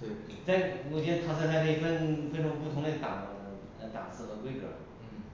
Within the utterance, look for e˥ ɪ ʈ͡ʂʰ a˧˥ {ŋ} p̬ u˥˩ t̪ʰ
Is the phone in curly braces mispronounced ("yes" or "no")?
no